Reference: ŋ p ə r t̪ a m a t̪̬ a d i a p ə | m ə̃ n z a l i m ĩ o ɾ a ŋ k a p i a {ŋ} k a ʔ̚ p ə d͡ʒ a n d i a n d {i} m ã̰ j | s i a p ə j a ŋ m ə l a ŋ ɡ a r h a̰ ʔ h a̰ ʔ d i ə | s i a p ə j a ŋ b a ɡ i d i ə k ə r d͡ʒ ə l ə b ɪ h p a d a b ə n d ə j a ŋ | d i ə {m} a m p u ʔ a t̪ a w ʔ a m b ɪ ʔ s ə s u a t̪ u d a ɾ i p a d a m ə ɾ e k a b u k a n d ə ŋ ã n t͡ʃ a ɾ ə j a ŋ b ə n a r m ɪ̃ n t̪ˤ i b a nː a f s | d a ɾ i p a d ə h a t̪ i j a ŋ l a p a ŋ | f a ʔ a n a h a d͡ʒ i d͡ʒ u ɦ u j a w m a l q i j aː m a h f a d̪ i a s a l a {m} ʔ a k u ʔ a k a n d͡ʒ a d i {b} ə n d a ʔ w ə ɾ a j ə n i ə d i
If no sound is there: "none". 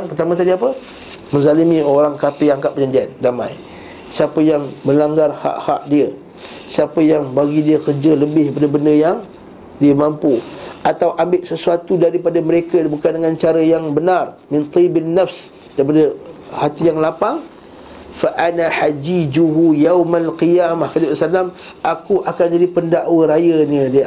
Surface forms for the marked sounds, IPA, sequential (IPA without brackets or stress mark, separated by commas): ŋ, a, m, m, p